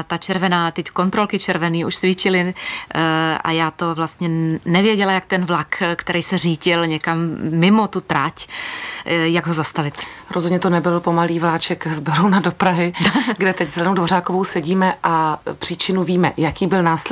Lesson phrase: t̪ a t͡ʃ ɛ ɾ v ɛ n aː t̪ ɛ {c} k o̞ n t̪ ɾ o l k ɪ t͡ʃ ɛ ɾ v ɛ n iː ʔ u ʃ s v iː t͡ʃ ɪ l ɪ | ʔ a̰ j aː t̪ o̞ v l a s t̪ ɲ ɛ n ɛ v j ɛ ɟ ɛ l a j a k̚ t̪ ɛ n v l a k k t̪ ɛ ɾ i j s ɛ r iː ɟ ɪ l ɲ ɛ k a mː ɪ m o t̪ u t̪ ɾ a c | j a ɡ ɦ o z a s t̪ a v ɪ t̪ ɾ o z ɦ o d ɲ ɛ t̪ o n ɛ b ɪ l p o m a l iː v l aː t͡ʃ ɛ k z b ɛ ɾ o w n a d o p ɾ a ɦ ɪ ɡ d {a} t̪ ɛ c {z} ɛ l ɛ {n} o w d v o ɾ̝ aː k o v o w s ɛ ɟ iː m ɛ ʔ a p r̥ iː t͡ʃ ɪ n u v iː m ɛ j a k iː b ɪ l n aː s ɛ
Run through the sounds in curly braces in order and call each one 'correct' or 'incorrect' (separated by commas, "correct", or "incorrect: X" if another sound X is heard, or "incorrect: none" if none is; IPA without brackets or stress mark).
correct, incorrect: ɛ, correct, correct